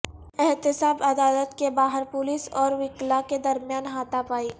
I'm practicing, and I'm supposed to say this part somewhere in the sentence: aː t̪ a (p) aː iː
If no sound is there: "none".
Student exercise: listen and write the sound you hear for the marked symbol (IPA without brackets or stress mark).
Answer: p